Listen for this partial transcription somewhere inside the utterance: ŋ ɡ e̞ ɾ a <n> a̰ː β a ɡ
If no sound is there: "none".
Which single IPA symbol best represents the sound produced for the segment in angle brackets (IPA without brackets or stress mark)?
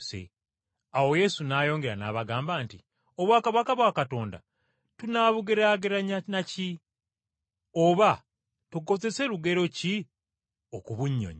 n